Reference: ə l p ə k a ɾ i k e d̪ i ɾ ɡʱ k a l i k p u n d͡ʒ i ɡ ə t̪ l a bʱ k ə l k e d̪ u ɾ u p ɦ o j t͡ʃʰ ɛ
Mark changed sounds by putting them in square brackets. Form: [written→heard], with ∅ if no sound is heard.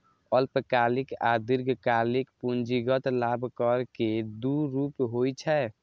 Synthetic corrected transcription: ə l p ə k a [ɾ→l] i k [e→a] d̪ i ɾ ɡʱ k a l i k p u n d͡ʒ i ɡ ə t̪ l a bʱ k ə [l→ɾ] k e d̪ u ɾ u p ɦ o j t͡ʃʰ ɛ

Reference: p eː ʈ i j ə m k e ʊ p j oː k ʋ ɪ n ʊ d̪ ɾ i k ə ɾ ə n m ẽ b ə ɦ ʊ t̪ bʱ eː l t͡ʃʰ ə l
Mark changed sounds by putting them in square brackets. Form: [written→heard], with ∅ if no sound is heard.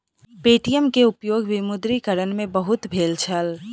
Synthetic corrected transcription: p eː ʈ i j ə m k e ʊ p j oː [k→ɡ] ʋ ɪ [n→m] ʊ d̪ ɾ i k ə ɾ ə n m ẽ b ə ɦ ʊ t̪ bʱ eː l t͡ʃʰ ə l

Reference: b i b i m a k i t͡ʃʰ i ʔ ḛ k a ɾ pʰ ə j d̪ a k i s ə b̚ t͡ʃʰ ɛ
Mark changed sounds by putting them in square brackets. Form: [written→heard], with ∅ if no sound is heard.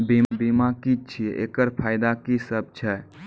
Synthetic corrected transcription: b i b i m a k i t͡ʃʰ i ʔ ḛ k [a→ə] ɾ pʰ [ə→a] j d̪ a k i s ə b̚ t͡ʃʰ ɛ

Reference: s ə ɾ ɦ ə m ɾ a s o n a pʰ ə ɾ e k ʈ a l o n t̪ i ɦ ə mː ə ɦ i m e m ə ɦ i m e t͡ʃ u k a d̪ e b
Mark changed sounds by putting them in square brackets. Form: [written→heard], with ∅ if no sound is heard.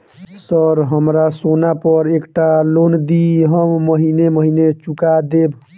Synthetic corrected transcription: s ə ɾ ɦ ə m ɾ a s o n a [pʰ→p] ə ɾ e k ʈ a l o n [t̪→d̪] i ɦ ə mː ə ɦ i [m→n] e m ə ɦ i [m→n] e t͡ʃ u k a d̪ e b

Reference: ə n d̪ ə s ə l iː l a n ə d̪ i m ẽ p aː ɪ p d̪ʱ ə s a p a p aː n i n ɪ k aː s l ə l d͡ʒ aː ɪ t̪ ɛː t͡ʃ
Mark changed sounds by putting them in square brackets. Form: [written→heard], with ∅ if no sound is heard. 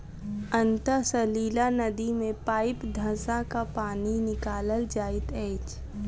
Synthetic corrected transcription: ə n [d̪→t̪] ə s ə l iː l a n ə d̪ i m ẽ p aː ɪ p d̪ʱ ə s a [p→k] a p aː n i n ɪ k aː [s→∅] l ə l d͡ʒ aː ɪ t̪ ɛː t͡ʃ

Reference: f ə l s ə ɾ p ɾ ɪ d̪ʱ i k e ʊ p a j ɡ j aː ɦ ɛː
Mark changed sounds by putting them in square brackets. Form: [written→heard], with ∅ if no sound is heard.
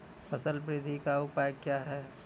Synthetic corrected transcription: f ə [l→∅] s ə [ɾ→l] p ɾ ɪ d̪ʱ i k [e→a] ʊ p a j [ɡ→k] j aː ɦ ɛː

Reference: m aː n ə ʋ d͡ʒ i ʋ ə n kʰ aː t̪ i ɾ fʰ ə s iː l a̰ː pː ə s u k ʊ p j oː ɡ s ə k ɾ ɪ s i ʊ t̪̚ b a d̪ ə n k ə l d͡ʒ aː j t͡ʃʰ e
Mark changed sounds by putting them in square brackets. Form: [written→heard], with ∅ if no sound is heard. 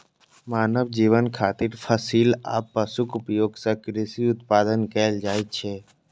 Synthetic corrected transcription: m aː n ə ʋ d͡ʒ i ʋ ə n kʰ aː t̪ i ɾ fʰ ə s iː l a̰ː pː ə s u k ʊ p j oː ɡ s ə k ɾ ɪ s i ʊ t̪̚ [b→p] a d̪ ə n k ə l d͡ʒ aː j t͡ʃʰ e

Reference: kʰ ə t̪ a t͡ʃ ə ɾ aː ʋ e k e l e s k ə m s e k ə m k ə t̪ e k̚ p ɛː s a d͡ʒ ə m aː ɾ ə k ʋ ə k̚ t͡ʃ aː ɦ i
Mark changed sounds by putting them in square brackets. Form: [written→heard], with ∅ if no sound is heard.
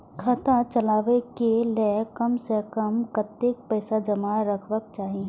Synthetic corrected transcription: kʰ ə t̪ a t͡ʃ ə [ɾ→l] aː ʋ e k e l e [s→∅] k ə m s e k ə m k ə t̪ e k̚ p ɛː s a d͡ʒ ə m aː ɾ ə [k→kʰ] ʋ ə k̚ t͡ʃ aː ɦ i

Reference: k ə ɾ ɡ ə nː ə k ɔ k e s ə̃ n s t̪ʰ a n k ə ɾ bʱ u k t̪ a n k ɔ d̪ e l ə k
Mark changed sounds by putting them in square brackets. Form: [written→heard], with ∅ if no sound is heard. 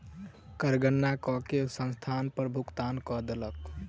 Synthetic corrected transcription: k ə ɾ ɡ ə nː [ə→a] k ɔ k e s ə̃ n s t̪ʰ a n [k→p] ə ɾ bʱ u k t̪ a n k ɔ d̪ e l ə k

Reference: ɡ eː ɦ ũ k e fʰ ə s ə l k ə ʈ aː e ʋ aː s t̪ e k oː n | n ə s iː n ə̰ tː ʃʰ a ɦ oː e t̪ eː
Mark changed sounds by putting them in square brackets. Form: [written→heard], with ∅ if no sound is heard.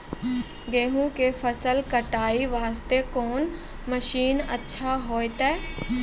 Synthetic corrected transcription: ɡ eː ɦ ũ k e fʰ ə s ə l k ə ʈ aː [e→i] ʋ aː s t̪ e k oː n | [n→m] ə [s→ʃ] iː n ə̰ tː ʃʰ a ɦ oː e t̪ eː

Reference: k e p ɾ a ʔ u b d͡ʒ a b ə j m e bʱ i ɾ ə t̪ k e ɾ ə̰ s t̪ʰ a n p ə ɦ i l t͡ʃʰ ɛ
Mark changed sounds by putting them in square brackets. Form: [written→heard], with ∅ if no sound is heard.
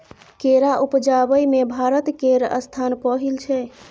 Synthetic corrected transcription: k e [p→∅] ɾ a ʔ u [b→p] d͡ʒ a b ə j m e bʱ [i→a] ɾ ə t̪ k e ɾ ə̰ s t̪ʰ a n p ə ɦ i l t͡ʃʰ ɛ

